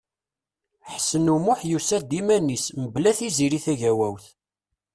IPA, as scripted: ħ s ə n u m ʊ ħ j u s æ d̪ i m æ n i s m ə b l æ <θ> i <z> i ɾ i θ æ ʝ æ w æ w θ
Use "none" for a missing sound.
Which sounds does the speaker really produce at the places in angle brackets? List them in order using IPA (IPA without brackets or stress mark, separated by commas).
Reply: θ, z